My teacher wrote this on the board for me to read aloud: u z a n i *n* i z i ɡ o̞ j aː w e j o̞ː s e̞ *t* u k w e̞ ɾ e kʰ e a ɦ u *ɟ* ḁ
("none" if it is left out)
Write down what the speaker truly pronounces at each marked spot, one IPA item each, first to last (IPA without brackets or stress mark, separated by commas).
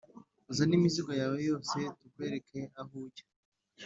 m, t, ɟ